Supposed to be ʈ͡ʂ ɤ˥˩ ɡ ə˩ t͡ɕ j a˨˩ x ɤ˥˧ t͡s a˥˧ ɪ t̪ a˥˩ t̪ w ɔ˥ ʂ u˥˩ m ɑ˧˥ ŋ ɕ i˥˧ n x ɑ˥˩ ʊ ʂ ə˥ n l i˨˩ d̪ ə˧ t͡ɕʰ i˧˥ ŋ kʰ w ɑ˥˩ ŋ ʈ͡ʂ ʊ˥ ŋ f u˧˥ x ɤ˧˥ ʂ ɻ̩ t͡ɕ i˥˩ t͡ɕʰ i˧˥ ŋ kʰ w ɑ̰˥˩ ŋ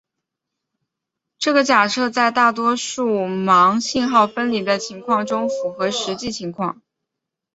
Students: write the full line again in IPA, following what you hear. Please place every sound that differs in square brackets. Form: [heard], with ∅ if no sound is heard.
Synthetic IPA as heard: ʈ͡ʂ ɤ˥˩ ɡ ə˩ t͡ɕ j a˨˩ [ʂ] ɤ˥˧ t͡s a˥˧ ɪ t̪ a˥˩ t̪ w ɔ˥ ʂ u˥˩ m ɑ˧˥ ŋ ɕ i˥˧ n x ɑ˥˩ ʊ [f] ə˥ n l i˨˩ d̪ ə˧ t͡ɕʰ i˧˥ ŋ kʰ w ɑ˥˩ ŋ ʈ͡ʂ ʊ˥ ŋ f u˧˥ x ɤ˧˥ ʂ ɻ̩ t͡ɕ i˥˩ t͡ɕʰ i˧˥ ŋ kʰ w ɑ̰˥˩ ŋ